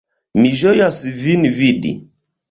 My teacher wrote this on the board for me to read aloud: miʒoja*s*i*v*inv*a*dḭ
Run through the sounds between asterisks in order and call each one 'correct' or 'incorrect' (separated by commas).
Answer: correct, correct, incorrect